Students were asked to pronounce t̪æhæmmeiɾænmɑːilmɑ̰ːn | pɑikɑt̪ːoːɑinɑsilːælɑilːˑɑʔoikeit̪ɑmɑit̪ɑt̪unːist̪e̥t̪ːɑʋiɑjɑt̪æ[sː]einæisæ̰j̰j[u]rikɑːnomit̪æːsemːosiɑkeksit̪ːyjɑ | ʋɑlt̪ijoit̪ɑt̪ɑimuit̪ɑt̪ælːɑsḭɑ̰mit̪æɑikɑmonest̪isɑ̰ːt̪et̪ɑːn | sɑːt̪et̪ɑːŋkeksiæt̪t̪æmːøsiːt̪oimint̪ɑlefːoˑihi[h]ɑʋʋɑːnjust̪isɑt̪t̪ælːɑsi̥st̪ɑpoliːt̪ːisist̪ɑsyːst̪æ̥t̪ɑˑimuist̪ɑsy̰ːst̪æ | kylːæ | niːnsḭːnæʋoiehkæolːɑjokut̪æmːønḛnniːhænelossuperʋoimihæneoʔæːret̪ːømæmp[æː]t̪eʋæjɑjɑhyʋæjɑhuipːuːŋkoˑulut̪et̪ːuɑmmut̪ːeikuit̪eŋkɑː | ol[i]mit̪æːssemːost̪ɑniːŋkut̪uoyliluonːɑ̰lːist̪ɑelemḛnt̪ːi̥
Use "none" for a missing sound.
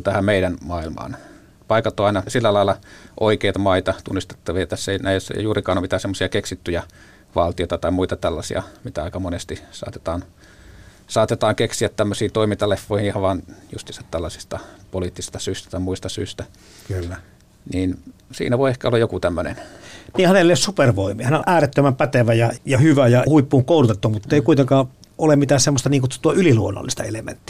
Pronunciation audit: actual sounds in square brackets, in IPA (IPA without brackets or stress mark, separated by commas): sː, uː, h, æ, e